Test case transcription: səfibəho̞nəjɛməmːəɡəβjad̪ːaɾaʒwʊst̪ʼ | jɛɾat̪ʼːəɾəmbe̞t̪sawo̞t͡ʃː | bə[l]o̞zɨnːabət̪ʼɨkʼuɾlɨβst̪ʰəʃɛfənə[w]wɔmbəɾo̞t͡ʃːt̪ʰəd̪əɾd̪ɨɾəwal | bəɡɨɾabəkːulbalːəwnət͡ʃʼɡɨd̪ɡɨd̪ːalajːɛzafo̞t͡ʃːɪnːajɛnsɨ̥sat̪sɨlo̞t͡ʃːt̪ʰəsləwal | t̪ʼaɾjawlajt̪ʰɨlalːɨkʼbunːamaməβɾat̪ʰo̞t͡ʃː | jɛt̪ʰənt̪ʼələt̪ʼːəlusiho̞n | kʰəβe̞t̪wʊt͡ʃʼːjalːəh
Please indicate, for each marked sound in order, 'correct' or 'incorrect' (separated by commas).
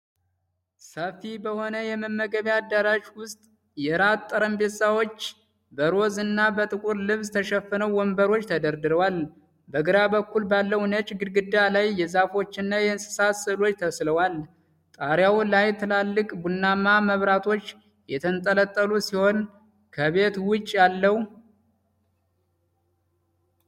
incorrect, correct